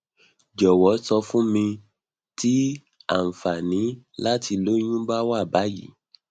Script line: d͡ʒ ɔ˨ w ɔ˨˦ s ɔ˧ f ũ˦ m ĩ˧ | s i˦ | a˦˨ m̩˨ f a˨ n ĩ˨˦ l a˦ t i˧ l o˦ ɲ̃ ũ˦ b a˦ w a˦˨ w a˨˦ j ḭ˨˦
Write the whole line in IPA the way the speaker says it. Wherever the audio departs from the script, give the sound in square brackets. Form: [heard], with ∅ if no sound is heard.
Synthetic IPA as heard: d͡ʒ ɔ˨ w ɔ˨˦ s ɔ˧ f ũ˦ m ĩ˧ | [t] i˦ | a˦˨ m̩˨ f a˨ n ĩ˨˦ l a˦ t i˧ l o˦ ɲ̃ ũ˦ b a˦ w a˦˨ [b] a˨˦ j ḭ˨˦